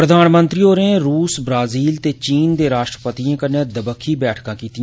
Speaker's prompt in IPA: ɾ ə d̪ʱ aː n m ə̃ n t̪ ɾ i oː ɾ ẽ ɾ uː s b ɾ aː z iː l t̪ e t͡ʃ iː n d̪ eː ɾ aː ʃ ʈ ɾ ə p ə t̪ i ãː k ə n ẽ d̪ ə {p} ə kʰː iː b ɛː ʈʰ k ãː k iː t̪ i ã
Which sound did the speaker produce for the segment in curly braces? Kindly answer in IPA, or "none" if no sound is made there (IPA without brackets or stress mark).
b